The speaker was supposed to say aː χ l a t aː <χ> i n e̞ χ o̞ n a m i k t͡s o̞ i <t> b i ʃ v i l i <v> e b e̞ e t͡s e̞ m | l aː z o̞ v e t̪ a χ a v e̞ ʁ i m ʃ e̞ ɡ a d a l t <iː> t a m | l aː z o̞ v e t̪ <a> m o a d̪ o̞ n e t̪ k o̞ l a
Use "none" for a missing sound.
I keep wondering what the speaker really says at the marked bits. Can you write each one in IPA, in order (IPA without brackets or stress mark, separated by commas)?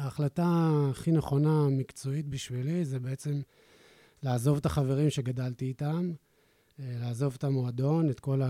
χ, t, z, iː, a